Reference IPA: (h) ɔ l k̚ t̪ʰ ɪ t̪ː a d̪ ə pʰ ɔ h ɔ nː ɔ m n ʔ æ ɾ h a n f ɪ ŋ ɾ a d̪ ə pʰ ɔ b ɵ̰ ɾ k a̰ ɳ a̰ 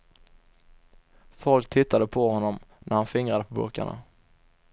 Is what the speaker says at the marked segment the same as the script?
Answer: no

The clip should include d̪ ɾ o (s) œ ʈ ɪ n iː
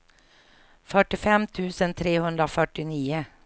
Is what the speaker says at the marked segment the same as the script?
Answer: no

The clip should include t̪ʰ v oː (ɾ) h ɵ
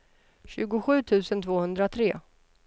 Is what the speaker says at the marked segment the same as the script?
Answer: no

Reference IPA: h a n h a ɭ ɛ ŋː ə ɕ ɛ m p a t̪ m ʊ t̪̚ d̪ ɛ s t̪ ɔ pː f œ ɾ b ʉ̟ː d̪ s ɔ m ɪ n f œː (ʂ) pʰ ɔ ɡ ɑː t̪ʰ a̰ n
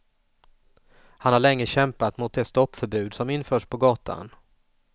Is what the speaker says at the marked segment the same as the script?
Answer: yes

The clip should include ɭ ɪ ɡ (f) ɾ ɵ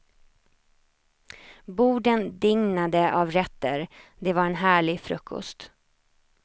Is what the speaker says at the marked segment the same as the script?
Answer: yes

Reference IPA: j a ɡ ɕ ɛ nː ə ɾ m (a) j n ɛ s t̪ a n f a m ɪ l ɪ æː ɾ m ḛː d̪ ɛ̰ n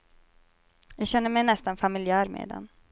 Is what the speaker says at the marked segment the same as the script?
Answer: no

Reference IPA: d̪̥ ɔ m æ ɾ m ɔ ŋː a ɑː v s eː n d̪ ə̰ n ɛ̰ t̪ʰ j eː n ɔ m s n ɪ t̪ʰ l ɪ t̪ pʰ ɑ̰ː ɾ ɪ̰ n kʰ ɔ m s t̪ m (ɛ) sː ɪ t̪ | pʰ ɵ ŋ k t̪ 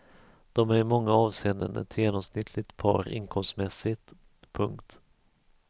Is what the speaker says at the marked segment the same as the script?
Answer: yes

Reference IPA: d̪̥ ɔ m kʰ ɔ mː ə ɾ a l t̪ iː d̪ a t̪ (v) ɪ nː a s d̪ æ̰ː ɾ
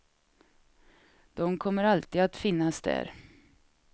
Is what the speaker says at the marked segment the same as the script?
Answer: no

